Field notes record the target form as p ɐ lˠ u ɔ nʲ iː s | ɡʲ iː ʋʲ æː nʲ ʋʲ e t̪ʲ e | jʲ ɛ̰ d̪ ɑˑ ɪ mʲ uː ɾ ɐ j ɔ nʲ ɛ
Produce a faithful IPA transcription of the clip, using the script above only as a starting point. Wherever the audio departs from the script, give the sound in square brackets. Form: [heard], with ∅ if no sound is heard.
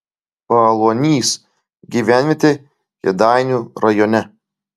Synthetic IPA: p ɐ lˠ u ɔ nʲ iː s | ɡʲ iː ʋʲ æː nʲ ʋʲ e t̪ʲ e | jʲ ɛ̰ d̪ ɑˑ ɪ [nʲ] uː ɾ ɐ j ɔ nʲ ɛ